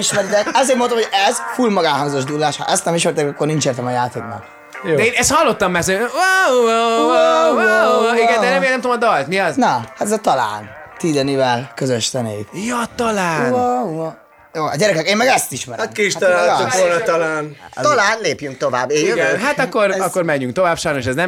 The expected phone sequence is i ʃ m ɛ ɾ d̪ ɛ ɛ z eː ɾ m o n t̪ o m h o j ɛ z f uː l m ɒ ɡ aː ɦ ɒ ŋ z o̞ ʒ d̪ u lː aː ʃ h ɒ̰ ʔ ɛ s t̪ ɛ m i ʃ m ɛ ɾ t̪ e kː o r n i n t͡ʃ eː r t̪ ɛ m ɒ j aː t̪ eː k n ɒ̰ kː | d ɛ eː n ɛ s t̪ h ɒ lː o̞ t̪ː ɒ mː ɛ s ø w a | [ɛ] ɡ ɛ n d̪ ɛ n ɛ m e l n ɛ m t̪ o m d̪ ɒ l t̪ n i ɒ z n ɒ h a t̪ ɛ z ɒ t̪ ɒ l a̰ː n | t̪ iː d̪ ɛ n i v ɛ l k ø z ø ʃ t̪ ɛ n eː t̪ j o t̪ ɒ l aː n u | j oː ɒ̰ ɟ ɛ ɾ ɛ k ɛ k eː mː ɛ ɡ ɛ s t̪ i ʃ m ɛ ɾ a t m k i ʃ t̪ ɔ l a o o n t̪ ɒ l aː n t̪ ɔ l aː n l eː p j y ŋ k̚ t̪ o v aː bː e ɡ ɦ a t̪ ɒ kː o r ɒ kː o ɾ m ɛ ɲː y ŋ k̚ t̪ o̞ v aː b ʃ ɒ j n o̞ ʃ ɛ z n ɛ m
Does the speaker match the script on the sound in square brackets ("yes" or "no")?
no